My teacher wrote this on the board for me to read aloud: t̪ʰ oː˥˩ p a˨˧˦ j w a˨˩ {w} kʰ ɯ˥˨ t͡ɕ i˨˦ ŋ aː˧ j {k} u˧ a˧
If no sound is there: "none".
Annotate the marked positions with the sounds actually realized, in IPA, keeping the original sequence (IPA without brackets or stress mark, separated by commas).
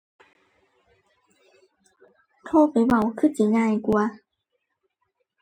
w, k